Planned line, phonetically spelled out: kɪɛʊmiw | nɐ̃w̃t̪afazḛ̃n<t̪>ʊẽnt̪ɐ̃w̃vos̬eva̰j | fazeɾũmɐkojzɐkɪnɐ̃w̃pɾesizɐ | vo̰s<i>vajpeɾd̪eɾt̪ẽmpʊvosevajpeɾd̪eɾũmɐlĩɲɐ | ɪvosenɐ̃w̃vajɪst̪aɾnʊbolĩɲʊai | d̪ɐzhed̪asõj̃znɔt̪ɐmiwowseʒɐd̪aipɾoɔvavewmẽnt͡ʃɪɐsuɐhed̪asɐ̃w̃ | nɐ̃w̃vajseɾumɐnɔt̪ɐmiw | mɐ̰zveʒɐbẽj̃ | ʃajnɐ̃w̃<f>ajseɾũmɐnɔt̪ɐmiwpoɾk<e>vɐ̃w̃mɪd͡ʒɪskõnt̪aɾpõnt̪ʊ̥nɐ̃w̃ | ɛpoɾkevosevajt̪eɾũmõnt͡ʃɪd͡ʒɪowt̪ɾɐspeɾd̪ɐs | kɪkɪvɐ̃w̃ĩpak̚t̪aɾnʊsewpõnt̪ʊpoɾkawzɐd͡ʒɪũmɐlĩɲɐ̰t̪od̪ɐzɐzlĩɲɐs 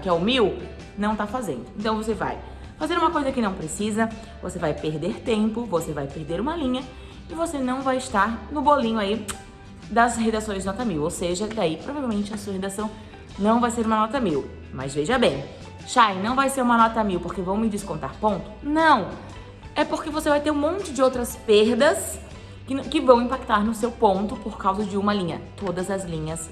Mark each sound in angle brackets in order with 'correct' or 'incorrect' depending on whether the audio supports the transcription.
incorrect: d̪, incorrect: e, incorrect: v, correct

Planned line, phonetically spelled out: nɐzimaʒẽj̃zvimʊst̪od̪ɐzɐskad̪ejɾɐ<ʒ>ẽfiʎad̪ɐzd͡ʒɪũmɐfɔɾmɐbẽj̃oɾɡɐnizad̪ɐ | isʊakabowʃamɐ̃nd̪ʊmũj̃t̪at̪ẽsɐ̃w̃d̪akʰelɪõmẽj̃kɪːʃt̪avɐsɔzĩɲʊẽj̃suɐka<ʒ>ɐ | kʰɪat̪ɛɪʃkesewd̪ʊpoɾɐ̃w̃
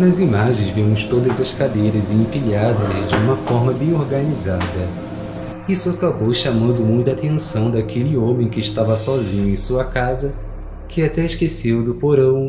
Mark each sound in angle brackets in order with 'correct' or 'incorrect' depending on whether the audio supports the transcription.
incorrect: z, incorrect: z

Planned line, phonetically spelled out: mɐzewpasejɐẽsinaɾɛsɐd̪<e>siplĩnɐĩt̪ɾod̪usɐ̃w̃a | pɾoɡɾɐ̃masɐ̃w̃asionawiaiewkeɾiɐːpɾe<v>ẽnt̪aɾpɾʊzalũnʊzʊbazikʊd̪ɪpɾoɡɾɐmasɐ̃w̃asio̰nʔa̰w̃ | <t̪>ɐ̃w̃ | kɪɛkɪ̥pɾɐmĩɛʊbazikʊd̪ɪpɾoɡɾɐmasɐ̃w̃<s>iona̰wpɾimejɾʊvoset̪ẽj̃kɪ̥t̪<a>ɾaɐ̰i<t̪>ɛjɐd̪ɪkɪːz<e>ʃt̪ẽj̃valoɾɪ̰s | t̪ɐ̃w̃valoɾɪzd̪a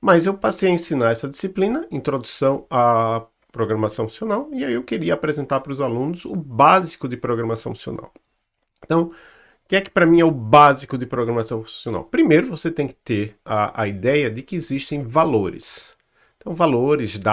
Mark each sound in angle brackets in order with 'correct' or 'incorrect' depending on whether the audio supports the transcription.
incorrect: i, incorrect: z, correct, correct, incorrect: e, incorrect: d̪, incorrect: i

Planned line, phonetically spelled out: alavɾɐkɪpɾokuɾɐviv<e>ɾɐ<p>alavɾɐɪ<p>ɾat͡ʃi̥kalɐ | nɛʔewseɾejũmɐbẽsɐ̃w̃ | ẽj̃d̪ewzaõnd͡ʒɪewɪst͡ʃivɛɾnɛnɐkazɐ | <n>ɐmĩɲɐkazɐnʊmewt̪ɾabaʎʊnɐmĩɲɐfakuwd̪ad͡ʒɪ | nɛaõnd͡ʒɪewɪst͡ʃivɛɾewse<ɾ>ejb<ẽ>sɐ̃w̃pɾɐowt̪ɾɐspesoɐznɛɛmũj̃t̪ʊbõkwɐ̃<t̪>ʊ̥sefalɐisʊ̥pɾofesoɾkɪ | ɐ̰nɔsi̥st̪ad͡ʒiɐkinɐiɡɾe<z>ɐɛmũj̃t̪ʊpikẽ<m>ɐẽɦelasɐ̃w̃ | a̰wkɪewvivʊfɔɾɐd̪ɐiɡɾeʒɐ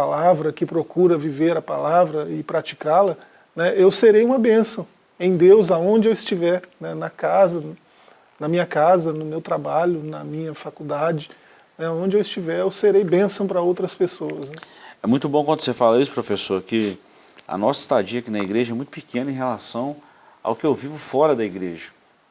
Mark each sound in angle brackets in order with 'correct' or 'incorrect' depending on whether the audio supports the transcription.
correct, correct, correct, correct, correct, correct, incorrect: d̪, incorrect: ʒ, incorrect: n

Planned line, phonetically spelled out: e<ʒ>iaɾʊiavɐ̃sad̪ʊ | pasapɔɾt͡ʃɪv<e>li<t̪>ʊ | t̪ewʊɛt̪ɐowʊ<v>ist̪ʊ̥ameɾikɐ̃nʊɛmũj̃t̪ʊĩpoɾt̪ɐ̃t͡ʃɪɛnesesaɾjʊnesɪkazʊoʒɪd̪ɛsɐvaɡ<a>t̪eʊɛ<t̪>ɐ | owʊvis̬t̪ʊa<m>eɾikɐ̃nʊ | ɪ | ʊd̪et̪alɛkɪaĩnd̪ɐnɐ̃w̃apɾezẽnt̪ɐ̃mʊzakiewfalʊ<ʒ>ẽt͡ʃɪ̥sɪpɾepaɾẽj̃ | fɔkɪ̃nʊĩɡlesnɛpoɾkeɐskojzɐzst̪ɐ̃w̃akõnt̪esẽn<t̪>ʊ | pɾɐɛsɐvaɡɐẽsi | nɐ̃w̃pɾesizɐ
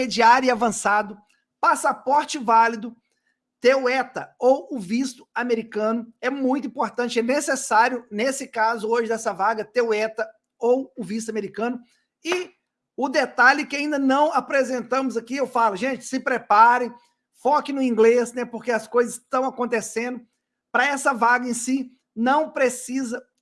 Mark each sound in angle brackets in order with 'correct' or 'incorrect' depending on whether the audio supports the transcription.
incorrect: d͡ʒ, incorrect: a, incorrect: d̪, correct, incorrect: ɐ, correct, correct, correct, incorrect: d̪

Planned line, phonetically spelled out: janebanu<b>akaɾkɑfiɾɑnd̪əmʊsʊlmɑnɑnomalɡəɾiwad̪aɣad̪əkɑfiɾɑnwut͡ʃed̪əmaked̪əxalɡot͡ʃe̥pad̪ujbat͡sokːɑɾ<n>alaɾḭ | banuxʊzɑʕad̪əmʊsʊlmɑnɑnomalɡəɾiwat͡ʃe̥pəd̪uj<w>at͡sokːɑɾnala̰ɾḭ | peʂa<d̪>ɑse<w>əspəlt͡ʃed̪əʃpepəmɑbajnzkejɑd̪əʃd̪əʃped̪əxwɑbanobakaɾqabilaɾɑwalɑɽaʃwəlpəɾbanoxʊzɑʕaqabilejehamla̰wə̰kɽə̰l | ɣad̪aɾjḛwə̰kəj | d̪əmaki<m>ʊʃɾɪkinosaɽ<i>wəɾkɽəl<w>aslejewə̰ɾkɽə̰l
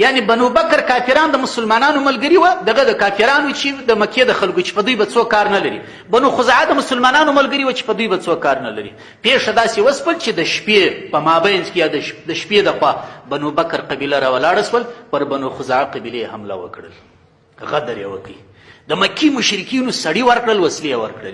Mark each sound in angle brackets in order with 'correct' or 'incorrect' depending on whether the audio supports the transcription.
correct, correct, incorrect: b, correct, correct, correct, correct, correct

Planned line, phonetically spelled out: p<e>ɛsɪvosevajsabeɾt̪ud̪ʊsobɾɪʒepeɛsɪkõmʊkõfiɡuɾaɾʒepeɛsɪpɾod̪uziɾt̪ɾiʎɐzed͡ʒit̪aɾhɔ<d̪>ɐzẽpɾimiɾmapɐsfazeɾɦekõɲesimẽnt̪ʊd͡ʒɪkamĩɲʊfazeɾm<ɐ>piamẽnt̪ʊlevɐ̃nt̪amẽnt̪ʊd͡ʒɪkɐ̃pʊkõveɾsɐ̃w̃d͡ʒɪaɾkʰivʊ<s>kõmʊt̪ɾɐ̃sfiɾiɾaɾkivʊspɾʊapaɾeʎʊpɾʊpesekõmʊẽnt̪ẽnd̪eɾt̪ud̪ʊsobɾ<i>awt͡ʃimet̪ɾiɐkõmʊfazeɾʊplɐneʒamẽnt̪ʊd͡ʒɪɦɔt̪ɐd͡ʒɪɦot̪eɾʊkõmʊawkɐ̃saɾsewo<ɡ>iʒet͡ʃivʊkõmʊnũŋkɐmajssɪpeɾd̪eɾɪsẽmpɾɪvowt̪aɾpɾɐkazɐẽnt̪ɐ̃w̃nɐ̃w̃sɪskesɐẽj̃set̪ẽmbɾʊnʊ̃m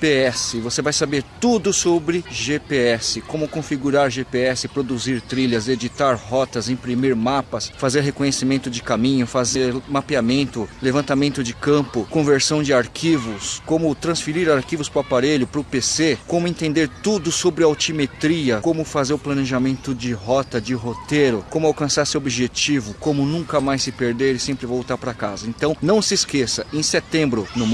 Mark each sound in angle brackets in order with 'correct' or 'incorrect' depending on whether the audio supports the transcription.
correct, incorrect: t̪, incorrect: a, correct, incorrect: ɪ, incorrect: b

